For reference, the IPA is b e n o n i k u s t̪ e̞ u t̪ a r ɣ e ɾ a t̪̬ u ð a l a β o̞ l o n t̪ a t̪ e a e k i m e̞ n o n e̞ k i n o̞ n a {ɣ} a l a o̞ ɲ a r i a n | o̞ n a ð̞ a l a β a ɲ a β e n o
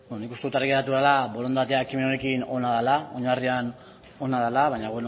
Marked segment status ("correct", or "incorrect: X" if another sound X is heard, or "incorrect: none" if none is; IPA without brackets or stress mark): incorrect: ð